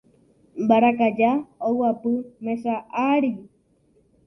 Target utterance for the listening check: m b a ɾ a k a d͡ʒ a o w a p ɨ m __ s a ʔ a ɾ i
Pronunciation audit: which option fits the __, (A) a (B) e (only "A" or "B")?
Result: B